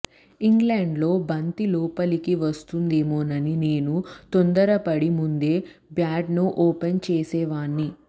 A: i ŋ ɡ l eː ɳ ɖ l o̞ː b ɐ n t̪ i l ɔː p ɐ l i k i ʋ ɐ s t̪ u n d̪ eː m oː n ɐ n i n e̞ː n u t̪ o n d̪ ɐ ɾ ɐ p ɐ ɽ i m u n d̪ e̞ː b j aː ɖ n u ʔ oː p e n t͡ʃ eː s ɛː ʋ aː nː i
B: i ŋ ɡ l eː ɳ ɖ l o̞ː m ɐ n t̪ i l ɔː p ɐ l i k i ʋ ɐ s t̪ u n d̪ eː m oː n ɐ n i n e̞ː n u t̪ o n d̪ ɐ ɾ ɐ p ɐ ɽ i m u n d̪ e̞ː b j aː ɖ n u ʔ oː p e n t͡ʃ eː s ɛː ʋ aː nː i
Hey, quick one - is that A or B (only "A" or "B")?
A